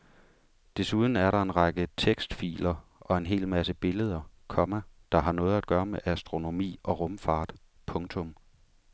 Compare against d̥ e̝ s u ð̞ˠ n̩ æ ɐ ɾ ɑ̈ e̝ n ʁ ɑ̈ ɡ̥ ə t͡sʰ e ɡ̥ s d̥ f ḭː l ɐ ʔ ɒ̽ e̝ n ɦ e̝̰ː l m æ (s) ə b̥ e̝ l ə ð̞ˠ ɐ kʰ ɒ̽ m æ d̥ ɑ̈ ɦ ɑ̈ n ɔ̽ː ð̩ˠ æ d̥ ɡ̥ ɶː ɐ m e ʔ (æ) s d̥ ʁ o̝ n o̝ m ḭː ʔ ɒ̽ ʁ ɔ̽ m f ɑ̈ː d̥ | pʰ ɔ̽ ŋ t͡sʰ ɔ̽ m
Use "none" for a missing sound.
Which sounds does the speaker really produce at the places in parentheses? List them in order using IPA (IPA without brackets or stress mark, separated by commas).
s, æ